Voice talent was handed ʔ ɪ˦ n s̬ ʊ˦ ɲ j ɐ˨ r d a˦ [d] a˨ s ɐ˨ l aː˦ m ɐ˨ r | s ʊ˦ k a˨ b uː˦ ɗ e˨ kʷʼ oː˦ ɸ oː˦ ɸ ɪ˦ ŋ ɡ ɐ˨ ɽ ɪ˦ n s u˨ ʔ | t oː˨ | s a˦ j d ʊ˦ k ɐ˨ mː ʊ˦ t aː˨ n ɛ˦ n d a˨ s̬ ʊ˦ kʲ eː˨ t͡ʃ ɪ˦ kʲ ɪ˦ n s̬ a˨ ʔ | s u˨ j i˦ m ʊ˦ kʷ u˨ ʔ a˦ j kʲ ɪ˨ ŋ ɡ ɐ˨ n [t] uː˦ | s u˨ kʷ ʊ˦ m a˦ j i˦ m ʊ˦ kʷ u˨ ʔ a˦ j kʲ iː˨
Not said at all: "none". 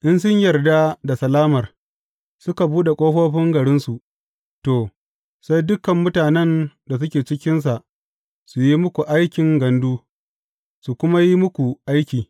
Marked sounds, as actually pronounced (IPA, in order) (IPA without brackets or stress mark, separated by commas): d, d